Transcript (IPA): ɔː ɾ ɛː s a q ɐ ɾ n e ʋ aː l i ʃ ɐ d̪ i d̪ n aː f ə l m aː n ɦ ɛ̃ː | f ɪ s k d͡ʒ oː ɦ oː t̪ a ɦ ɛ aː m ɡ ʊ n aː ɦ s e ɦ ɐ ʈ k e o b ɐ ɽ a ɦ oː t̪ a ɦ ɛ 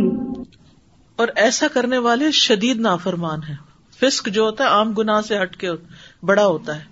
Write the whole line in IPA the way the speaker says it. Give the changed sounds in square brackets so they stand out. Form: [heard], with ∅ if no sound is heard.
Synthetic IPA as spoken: ɔː ɾ ɛː s a [k] ɐ ɾ n e ʋ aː l [e] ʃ ɐ d̪ [iː] d̪ n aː f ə [ɾ] m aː n ɦ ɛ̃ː | f ɪ s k d͡ʒ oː ɦ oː t̪ a ɦ ɛ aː m ɡ ʊ n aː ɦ s e ɦ ɐ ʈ k e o b ɐ ɽ a ɦ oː t̪ a ɦ [ɛː]